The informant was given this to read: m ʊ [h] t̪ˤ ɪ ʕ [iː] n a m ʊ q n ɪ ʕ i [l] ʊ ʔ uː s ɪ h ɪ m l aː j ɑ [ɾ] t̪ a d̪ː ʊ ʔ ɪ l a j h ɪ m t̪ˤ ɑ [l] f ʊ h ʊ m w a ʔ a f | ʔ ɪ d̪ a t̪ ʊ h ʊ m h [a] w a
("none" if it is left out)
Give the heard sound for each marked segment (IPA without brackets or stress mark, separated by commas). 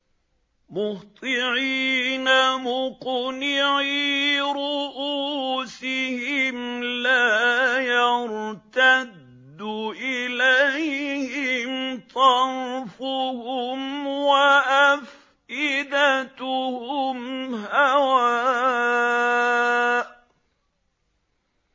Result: h, iː, ɾ, ɾ, ɾ, a